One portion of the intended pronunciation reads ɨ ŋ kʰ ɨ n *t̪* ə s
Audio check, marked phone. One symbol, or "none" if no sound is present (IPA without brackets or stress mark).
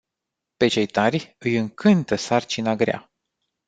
t̪